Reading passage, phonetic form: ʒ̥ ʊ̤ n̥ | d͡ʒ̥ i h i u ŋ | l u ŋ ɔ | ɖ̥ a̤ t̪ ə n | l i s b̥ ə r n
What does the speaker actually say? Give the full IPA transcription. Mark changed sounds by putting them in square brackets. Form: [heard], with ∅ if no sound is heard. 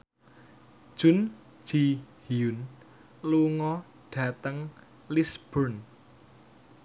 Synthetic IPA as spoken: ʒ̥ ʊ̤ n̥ | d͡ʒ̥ i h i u [n] | l u ŋ ɔ | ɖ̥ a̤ t̪ ə [ŋ] | l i s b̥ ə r n